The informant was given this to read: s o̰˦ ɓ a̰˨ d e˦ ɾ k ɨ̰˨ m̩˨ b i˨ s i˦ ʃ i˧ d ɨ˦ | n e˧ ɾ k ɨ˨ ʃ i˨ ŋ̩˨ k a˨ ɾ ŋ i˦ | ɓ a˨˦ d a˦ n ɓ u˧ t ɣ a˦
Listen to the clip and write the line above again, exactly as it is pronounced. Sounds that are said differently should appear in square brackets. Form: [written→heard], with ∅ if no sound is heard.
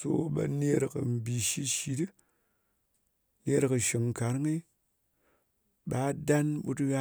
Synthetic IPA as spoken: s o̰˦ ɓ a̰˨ [d→n] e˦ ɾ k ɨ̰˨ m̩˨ b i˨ [s→ʃ] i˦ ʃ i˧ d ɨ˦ | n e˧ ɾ k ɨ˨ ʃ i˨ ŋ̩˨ k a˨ ɾ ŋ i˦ | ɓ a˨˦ d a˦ n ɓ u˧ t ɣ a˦